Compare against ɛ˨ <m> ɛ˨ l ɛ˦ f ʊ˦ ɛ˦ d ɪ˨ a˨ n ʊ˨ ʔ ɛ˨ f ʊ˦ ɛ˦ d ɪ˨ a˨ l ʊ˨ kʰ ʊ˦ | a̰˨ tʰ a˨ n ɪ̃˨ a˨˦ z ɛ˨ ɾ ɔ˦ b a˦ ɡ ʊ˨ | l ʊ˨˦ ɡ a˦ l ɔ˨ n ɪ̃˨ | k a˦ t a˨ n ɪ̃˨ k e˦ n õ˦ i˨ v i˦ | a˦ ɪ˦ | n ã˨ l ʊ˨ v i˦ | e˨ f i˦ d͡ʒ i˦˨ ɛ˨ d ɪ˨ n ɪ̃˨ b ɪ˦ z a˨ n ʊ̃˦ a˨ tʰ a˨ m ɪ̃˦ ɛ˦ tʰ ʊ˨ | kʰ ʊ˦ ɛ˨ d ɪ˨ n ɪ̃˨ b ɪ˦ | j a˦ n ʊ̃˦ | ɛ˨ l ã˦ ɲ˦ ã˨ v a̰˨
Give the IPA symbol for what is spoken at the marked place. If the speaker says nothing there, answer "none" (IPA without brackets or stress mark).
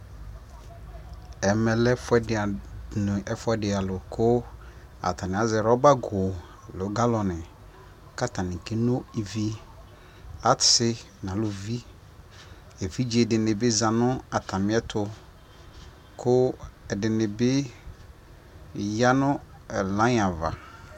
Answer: m